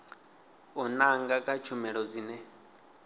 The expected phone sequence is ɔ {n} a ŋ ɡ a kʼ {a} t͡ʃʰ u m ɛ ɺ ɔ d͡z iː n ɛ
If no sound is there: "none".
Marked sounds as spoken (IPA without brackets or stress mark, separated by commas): n, a